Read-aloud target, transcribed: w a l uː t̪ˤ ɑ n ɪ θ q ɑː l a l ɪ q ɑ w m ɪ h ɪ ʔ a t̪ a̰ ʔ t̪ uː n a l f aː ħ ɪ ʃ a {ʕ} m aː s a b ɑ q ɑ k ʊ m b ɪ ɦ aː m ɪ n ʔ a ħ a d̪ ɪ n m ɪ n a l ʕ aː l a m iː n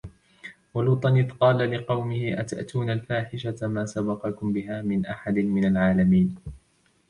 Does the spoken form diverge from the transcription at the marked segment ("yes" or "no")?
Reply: yes